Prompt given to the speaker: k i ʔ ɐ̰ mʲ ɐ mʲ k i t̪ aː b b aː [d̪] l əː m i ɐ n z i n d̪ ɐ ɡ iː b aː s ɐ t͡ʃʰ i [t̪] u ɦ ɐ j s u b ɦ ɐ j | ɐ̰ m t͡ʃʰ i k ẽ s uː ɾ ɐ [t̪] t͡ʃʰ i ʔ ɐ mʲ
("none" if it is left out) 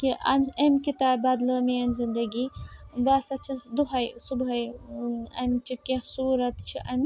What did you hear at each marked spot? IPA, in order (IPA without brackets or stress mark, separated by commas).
d̪, d̪, t̪